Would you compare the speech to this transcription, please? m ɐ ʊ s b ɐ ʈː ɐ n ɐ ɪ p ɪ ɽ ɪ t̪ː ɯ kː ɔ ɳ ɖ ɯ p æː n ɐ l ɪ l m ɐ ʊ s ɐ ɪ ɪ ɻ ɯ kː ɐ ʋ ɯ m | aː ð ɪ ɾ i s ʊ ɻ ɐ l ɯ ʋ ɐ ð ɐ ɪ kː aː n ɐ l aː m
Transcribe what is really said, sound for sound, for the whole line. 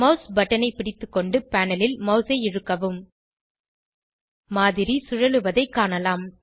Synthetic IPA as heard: m ɐ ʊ s b ɐ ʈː ɐ n ɐ ɪ p ɪ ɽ ɪ t̪ː ɯ kː ɔ ɳ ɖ ɯ p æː n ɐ l ɪ l m ɐ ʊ s ɐ ɪ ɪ ɻ ɯ kː ɐ ʋ ɯ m | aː ð ɪ ɾ i s ʊ ɻ ɐ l ɯ ʋ ɐ ð ɐ ɪ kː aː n ɐ l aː m